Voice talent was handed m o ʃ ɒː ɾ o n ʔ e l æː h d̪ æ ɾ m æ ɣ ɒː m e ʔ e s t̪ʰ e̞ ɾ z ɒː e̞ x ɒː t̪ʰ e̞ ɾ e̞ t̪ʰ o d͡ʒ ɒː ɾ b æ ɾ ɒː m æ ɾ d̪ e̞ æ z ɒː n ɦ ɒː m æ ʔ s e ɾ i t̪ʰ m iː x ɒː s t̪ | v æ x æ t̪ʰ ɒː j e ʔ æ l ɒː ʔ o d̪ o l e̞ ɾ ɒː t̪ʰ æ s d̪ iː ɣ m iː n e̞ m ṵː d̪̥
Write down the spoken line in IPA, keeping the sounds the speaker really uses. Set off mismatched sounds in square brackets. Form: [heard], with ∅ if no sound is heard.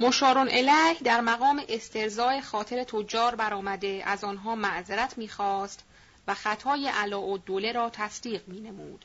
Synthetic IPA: m o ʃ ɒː ɾ o n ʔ e l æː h d̪ æ ɾ m æ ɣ ɒː m e ʔ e s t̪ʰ e̞ ɾ z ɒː e̞ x ɒː t̪ʰ e̞ ɾ e̞ t̪ʰ o d͡ʒ ɒː ɾ b æ ɾ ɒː m æ [∅] d̪ e̞ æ z ɒː n ɦ ɒː m æ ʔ [z] e ɾ [æ] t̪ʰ m iː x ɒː s t̪ | v æ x æ t̪ʰ ɒː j e ʔ æ l ɒː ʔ o d̪ o l e̞ ɾ ɒː t̪ʰ æ s d̪ iː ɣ m iː n e̞ m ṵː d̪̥